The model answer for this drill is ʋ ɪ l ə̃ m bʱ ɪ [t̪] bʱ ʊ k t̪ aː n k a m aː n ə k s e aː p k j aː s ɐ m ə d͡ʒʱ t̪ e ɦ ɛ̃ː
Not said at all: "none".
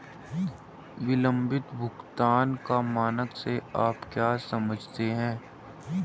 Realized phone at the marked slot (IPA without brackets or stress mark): t̪